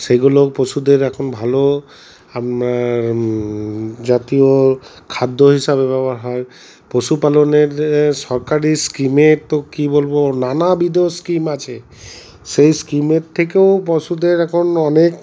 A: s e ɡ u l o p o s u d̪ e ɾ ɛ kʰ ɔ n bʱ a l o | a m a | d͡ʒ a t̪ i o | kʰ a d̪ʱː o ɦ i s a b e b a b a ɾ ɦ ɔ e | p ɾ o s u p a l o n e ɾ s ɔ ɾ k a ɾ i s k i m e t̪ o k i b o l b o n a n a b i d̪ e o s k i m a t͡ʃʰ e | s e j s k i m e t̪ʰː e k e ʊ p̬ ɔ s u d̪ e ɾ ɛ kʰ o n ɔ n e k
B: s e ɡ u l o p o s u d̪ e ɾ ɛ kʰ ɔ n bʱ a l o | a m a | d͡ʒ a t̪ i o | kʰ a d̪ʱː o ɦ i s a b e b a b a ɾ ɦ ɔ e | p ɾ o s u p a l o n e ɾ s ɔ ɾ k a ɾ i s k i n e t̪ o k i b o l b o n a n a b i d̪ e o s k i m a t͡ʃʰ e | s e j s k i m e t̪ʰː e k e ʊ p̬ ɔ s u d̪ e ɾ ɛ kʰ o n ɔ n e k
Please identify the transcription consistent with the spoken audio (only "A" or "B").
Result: A